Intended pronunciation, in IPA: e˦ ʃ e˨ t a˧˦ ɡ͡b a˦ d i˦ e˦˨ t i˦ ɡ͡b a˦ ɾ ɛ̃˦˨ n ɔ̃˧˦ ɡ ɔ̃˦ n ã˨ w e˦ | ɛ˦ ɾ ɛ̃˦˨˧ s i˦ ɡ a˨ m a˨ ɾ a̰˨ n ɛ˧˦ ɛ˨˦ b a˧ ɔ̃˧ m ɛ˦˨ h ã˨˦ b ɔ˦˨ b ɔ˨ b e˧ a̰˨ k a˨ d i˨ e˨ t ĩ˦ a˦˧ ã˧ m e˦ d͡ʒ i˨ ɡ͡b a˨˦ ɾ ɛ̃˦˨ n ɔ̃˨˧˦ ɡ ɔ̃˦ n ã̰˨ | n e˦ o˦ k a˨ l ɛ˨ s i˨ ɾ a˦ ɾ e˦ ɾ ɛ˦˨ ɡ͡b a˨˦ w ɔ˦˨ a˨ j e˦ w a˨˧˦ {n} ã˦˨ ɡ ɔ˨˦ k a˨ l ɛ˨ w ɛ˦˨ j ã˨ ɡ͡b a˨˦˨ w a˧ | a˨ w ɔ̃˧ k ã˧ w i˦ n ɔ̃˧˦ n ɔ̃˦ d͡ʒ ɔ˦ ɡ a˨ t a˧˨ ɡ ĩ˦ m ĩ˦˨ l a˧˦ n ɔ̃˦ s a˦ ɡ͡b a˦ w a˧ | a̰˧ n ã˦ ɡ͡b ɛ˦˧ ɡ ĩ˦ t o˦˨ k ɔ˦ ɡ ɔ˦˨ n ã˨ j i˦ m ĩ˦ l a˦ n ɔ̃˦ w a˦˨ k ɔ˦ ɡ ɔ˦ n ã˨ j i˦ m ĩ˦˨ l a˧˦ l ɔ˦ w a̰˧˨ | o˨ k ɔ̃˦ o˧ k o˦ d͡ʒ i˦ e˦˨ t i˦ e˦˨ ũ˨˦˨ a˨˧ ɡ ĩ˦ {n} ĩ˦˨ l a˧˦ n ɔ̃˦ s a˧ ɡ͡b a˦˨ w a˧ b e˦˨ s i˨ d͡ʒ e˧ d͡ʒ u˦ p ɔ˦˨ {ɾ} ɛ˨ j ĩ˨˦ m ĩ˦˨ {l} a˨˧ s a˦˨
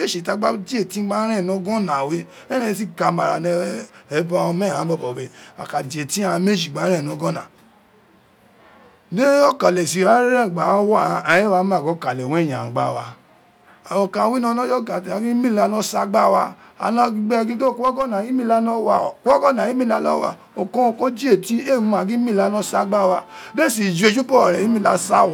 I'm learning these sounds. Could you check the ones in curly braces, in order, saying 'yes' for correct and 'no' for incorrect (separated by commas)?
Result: no, no, yes, yes